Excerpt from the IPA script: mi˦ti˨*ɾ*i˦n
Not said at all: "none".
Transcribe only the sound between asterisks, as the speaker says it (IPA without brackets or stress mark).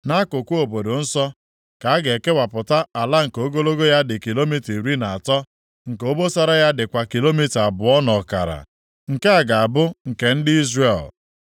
ɾ